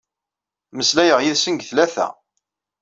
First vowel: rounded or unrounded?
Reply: unrounded